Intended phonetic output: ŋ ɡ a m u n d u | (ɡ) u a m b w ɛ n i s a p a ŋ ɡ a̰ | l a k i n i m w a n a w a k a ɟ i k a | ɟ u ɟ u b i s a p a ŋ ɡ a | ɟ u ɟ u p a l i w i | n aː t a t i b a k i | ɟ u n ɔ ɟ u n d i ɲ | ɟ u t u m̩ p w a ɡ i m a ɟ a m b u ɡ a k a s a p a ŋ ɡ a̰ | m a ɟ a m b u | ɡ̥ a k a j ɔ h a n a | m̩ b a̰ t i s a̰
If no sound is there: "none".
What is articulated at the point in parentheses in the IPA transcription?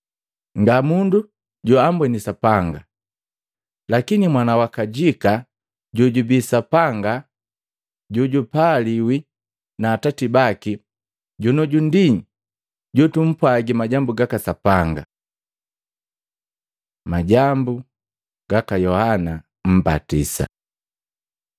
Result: ɟ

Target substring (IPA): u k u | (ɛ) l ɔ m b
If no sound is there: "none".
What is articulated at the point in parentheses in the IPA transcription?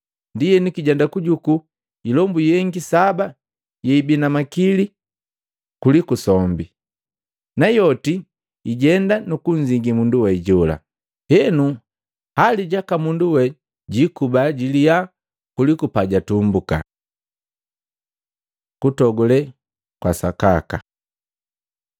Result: i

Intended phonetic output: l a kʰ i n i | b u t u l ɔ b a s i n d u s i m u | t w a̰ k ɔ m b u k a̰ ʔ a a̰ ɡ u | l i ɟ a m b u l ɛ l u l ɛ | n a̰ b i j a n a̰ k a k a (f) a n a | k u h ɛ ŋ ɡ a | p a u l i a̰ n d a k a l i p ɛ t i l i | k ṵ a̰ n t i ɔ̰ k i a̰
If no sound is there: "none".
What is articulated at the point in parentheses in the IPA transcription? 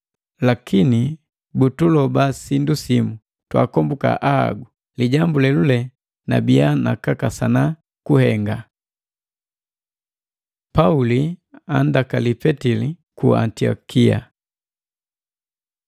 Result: s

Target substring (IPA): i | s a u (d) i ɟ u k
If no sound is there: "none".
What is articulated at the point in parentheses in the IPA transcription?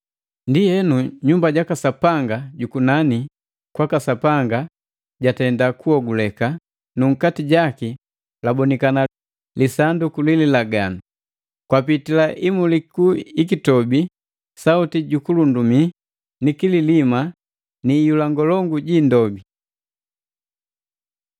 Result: t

